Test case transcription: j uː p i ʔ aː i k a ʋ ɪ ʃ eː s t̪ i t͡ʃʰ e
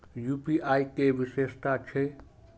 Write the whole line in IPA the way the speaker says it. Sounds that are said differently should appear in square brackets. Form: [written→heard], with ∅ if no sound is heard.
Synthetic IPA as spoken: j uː p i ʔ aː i k [a→e] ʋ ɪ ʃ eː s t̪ [i→a] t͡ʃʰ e